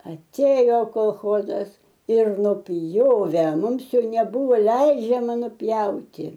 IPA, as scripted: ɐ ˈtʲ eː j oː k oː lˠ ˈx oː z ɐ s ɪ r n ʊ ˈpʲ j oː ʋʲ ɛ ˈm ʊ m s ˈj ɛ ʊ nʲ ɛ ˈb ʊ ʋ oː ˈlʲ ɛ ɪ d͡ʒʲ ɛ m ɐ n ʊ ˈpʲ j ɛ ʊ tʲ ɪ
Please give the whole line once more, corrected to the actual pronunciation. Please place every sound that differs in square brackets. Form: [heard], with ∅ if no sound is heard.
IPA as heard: ɐ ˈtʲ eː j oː k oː lˠ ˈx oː z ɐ s ɪ r n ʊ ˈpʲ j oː ʋʲ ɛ ˈm ʊ m s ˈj ɛ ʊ nʲ ɛ ˈb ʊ ʋ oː ˈlʲ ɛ ɪ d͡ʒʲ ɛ m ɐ n ʊ ˈpʲ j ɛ ʊ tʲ ɪ

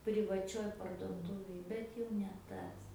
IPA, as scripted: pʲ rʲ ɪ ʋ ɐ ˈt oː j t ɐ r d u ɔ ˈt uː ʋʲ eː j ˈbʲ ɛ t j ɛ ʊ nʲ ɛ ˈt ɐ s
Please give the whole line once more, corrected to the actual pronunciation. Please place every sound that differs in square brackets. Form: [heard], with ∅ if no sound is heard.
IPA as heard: pʲ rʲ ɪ ʋ ɐ [ˈt͡ʃʲ] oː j [p] ɐ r d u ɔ ˈt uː ʋʲ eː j ˈbʲ ɛ t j ɛ ʊ nʲ ɛ ˈt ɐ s

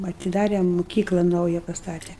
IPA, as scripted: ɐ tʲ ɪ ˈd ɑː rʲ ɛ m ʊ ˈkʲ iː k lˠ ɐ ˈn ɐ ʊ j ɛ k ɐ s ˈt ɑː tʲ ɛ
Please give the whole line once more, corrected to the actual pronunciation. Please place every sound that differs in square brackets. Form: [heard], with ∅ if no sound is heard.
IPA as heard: ɐ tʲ ɪ ˈd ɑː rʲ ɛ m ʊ ˈkʲ iː k lˠ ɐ ˈn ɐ ʊ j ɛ [p] ɐ s ˈt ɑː tʲ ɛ

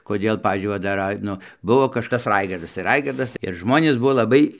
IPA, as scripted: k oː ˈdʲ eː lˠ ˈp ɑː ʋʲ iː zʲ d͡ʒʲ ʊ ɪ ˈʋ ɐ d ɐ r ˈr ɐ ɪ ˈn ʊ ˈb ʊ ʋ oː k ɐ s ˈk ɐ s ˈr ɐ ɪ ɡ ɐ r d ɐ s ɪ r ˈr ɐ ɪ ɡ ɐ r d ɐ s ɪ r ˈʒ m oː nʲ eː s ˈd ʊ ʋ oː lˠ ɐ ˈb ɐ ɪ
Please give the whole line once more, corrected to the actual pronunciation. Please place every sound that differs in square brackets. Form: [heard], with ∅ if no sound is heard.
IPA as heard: k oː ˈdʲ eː lˠ ˈp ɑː ʋʲ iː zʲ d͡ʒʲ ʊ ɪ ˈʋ ɐ d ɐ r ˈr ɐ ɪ ˈn ʊ ˈb ʊ ʋ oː k ɐ [ʃ] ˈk ɐ s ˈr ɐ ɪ ɡ ɐ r d ɐ s ɪ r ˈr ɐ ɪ ɡ ɐ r d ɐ s ɪ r ˈʒ m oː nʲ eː s [ˈb] ʊ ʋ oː lˠ ɐ ˈb ɐ ɪ

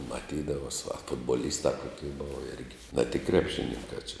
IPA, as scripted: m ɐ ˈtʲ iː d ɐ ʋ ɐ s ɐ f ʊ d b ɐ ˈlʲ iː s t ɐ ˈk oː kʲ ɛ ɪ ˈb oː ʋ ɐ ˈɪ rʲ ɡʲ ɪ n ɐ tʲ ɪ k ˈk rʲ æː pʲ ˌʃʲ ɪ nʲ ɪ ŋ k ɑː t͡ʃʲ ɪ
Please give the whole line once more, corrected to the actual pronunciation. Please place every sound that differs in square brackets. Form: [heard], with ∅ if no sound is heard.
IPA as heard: m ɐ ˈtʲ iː d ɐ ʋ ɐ s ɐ f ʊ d b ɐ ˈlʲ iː s t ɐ ˈk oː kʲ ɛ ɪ ˈb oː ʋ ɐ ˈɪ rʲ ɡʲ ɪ n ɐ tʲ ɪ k ˈk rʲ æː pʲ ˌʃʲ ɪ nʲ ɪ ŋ k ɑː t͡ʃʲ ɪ

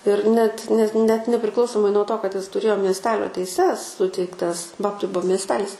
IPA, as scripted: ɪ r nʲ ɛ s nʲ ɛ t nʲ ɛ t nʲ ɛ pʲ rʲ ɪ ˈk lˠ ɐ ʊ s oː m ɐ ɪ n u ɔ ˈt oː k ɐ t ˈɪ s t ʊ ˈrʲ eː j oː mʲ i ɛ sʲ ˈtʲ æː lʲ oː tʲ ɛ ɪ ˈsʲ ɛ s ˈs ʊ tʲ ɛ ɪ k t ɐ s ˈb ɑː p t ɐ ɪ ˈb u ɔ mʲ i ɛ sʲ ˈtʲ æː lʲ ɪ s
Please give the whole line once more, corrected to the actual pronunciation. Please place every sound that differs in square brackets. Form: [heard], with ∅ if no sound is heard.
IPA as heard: ɪ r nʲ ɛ [t] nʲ ɛ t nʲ ɛ t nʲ ɛ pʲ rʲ ɪ ˈk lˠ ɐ ʊ s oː m ɐ ɪ n u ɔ ˈt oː k ɐ t ˈɪ s t ʊ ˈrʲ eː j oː mʲ i ɛ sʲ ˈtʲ æː lʲ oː tʲ ɛ ɪ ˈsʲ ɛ s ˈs ʊ tʲ ɛ ɪ k t ɐ s ˈb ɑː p t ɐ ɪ ˈb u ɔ mʲ i ɛ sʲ ˈtʲ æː lʲ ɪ s

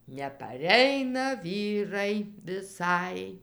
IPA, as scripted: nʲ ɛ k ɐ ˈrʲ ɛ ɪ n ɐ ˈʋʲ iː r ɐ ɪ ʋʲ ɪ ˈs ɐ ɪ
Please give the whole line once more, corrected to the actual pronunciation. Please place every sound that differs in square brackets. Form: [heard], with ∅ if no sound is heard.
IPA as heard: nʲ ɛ [p] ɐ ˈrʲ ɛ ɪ n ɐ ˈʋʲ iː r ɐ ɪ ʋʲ ɪ ˈs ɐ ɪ

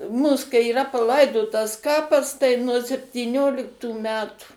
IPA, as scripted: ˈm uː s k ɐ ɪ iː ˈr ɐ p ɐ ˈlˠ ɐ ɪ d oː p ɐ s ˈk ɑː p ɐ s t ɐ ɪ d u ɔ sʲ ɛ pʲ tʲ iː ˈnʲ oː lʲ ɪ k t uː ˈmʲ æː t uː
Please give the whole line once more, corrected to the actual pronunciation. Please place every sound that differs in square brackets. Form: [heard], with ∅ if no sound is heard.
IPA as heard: ˈm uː s k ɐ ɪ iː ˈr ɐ p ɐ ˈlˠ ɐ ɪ d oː [t] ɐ s ˈk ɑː p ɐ s t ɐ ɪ [n] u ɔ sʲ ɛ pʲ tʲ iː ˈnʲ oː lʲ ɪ k t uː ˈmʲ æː t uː

